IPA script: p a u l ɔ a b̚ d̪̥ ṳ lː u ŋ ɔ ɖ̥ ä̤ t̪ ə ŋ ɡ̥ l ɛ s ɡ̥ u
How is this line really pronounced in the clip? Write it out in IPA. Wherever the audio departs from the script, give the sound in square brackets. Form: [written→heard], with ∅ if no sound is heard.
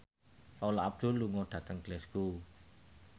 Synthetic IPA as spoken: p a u l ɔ a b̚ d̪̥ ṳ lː u ŋ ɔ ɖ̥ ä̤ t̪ ə ŋ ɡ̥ l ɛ s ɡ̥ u

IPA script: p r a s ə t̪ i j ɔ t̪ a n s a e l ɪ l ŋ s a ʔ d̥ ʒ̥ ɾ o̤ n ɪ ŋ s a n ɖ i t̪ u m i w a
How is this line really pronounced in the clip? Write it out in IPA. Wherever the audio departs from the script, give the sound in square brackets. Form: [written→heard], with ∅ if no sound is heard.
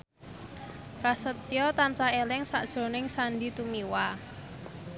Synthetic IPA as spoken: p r a s ə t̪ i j ɔ t̪ a n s a e l ɪ [l→∅] ŋ s a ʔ d̥ ʒ̥ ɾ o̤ n ɪ ŋ s a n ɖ i t̪ u m i w a

